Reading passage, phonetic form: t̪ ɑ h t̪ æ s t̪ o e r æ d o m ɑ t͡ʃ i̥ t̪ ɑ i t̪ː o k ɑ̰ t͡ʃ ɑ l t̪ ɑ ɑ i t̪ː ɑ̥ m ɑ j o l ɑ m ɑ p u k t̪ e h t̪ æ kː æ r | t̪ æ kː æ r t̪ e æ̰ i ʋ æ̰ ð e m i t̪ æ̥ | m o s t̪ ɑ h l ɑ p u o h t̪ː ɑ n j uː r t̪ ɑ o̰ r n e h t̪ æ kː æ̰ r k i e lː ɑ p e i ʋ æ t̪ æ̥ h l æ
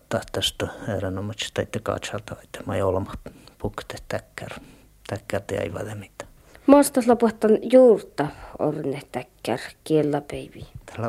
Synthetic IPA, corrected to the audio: t̪ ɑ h t̪ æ s t̪ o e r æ n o m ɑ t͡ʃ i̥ t̪ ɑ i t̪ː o k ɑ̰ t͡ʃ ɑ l t̪ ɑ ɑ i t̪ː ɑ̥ m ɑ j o l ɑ m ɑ p u k t̪ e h t̪ æ kː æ r | t̪ æ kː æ r t̪ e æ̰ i ʋ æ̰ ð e m i t̪ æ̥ | m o s t̪ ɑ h l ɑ p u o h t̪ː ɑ n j uː r t̪ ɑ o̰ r n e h t̪ æ kː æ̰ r k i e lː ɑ p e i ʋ i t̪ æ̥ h l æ